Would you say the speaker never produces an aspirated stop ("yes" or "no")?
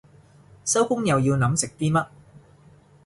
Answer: yes